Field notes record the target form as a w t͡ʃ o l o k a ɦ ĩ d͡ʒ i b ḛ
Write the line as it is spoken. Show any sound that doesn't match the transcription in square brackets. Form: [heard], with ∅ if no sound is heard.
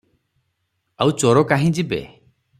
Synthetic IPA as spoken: a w t͡ʃ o [ɾ] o k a ɦ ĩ d͡ʒ i b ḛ